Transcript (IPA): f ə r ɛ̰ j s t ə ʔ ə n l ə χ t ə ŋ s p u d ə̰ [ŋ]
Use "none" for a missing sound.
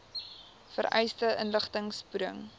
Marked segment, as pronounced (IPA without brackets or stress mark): ŋ